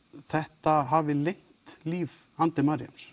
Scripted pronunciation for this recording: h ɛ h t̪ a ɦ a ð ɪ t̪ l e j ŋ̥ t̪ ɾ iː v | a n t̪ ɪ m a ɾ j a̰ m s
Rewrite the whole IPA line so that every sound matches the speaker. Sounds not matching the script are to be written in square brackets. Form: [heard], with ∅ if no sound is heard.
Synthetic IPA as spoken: [θ] ɛ h t̪ a ɦ a [v] ɪ [∅] l e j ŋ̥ t̪ [l] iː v | a n t̪ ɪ m a ɾ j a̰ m s